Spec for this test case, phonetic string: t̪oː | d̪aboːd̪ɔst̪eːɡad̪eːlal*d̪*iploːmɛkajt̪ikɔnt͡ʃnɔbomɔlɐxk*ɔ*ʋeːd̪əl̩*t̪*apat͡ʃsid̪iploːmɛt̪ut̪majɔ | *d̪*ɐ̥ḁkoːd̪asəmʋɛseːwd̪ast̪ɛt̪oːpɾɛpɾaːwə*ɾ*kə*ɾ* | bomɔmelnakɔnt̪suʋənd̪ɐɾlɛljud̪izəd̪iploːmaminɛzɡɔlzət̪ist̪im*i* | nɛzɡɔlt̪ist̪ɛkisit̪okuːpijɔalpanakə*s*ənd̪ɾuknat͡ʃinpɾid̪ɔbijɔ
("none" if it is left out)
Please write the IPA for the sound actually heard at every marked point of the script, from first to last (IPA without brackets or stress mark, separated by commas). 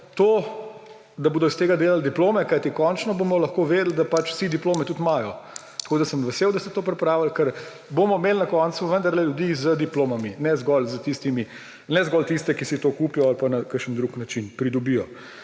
d̪, o, d̪, t̪, l, ɾ, i, ʃ